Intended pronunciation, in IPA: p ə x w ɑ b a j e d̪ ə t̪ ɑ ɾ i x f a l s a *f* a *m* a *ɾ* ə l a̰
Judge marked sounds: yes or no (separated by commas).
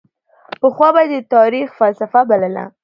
yes, no, no